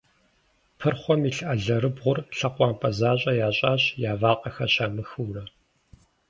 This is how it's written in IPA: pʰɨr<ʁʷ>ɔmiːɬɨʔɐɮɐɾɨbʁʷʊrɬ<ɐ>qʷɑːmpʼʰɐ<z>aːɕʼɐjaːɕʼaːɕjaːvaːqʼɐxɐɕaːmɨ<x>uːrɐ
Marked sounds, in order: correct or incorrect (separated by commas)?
incorrect, correct, correct, correct